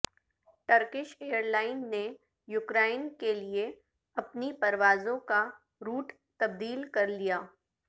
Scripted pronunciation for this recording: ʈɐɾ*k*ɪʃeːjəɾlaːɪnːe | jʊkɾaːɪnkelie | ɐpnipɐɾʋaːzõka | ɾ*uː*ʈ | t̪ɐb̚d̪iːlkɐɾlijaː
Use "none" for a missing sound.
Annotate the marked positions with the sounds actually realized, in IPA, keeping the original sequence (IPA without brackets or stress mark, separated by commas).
k, uː